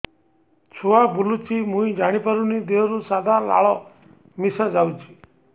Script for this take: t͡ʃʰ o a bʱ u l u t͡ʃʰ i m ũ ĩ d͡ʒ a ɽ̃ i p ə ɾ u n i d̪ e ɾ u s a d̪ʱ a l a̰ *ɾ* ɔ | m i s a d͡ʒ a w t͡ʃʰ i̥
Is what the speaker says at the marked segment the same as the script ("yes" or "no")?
no